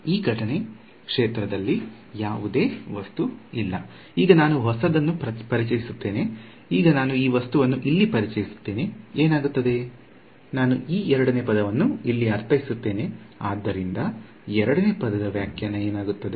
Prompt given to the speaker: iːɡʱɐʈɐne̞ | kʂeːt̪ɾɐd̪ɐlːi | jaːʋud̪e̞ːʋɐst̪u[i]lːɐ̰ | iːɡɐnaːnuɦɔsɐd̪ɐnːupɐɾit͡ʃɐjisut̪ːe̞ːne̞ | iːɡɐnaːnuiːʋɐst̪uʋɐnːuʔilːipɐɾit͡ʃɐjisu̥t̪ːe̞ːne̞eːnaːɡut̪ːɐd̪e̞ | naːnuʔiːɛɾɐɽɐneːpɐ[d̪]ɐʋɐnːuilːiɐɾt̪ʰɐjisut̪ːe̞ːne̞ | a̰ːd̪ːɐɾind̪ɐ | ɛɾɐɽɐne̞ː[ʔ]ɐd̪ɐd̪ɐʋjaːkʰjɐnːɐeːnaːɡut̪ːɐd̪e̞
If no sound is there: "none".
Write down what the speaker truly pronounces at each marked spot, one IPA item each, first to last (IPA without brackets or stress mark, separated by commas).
i, d̪, p